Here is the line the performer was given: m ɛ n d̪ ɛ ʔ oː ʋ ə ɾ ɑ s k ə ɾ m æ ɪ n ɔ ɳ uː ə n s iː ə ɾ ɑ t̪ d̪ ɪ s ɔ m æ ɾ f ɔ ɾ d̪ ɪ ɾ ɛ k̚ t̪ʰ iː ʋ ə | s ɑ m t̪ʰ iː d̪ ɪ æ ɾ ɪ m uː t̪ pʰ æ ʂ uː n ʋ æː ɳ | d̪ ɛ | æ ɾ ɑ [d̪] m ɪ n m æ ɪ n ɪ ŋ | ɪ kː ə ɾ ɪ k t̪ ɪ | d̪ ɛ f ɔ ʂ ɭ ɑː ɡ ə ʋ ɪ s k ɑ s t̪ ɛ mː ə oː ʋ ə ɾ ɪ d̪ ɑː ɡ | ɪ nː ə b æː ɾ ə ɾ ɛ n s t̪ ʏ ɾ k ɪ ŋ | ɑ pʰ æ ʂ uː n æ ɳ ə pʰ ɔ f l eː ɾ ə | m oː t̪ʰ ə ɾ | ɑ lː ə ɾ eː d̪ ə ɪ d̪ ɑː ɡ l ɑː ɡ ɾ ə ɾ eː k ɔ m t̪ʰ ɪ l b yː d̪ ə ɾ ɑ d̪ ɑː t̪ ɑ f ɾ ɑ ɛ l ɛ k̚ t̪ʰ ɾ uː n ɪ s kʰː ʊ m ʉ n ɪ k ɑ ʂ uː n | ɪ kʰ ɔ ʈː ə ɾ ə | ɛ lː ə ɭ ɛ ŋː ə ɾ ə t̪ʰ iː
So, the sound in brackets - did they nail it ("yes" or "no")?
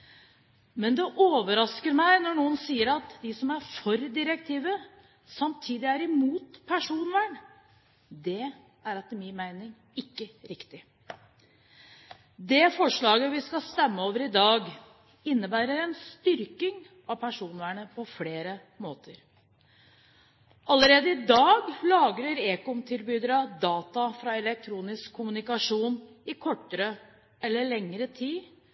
no